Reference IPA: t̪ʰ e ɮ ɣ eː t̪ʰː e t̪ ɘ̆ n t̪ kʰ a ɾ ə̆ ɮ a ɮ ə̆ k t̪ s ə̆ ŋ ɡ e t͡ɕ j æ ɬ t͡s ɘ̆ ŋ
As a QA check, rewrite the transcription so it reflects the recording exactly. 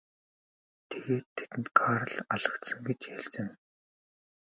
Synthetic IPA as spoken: t̪ʰ e ɣ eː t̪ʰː e t̪ ɘ̆ n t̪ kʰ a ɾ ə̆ ɮ a ɮ ə̆ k t̪ s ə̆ ŋ ɡ e t͡ɕ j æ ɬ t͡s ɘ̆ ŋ